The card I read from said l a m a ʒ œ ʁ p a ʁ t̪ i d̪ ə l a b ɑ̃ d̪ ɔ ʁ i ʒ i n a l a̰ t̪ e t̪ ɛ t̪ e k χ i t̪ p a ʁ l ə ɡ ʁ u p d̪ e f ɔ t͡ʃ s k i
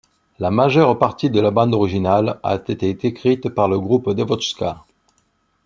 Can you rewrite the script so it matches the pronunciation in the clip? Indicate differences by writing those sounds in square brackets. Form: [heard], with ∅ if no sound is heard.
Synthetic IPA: l a m a ʒ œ ʁ p a ʁ t̪ i d̪ ə l a b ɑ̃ d̪ ɔ ʁ i ʒ i n a l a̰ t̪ e t̪ [e] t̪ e k χ i t̪ p a ʁ l ə ɡ ʁ u p d̪ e [v] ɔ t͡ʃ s k [a]